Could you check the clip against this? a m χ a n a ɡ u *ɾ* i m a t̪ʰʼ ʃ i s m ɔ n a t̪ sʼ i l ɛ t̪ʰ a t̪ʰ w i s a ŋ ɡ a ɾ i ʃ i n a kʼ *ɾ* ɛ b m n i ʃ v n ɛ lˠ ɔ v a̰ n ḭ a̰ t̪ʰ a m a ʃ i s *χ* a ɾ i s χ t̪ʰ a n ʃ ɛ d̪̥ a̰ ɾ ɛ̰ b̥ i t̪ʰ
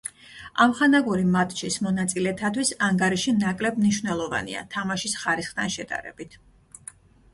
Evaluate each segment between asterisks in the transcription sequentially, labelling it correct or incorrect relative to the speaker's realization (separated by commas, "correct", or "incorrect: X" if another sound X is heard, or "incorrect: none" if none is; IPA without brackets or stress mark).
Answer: correct, incorrect: l, correct